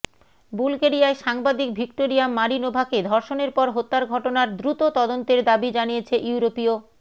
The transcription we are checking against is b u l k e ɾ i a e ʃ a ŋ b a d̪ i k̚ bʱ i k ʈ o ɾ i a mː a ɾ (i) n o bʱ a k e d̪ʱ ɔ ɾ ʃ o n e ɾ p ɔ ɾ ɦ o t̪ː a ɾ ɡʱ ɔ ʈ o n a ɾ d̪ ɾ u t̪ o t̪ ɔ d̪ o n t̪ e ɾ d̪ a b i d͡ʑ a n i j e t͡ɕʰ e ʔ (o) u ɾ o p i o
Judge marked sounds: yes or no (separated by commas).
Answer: yes, no